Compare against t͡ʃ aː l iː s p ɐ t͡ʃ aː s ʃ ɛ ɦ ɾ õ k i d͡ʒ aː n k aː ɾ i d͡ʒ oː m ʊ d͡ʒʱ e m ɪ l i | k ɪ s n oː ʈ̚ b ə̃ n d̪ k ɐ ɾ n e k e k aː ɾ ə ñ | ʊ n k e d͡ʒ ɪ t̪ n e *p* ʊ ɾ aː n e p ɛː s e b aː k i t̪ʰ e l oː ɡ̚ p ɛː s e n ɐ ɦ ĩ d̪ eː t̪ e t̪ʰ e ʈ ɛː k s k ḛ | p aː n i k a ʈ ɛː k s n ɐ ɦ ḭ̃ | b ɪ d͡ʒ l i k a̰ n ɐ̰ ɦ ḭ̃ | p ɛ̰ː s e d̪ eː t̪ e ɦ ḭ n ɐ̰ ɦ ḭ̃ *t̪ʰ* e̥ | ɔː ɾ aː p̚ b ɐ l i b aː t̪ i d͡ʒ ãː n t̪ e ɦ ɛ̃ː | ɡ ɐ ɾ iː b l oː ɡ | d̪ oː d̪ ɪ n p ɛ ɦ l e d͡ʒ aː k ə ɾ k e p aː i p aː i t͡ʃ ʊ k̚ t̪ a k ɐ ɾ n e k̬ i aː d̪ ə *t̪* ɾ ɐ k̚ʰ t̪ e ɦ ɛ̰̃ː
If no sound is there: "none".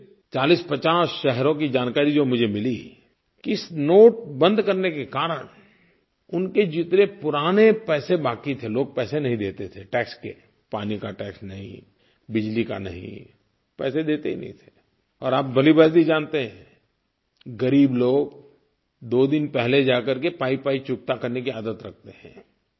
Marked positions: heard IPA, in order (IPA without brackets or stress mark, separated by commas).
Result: p, t̪ʰ, t̪